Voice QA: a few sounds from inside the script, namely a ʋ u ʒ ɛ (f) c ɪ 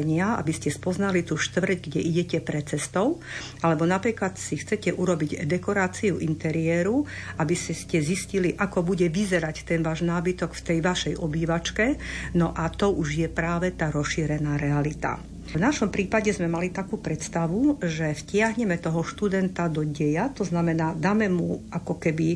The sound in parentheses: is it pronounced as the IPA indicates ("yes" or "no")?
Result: yes